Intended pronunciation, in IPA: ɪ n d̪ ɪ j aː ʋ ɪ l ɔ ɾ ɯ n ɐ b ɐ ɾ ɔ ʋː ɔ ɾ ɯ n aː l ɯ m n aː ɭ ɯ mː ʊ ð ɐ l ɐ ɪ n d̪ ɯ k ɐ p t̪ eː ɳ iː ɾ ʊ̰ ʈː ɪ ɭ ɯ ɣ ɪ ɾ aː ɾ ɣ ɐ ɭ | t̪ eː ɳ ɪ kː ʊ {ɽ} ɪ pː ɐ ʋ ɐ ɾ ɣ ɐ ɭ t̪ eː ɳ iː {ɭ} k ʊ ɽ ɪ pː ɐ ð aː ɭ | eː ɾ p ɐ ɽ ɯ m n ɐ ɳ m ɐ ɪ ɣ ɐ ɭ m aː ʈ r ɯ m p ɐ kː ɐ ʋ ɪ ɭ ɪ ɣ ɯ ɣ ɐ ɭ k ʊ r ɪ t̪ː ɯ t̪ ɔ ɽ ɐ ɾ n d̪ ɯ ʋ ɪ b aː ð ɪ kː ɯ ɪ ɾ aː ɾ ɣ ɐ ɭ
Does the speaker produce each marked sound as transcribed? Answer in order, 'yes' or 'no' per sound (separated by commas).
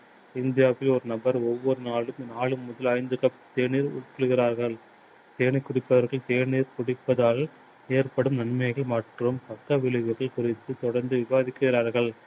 yes, no